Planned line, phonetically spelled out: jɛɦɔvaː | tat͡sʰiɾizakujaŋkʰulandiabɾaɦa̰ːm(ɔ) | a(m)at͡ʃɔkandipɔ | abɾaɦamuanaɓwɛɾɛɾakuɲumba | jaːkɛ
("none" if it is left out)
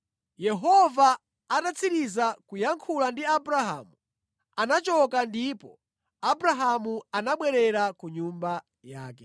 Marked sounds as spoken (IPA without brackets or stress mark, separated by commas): u, n